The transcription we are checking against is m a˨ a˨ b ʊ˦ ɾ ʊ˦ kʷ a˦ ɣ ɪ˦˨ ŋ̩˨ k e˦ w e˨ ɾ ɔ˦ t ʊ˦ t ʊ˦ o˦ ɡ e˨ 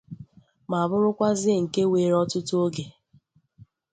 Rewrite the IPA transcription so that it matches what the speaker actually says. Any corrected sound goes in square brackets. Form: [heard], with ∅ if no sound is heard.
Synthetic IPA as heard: m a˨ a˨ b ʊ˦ ɾ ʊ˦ kʷ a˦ [z] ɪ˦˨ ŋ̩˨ k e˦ w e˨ ɾ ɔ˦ t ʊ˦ t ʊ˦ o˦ ɡ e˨